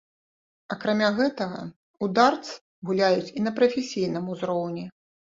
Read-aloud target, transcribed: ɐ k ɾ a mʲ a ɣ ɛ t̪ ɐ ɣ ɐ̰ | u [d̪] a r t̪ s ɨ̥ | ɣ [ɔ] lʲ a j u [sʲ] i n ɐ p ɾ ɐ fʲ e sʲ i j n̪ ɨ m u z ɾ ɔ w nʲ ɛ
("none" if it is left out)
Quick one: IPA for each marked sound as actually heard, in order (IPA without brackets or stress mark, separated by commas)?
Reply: d̪, u, t͡sʲ